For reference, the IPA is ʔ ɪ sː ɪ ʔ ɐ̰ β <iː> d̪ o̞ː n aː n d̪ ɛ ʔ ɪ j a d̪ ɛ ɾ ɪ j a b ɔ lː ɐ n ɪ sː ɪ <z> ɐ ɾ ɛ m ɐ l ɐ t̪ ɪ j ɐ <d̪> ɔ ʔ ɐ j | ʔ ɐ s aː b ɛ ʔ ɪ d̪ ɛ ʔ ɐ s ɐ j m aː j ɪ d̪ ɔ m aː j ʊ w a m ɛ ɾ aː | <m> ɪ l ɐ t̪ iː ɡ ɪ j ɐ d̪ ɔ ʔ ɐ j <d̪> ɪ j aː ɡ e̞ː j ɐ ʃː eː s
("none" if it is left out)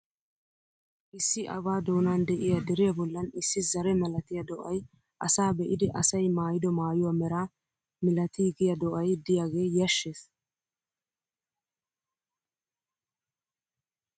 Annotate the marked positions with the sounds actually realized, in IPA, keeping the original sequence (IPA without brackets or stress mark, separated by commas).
aː, z, d̪, m, d̪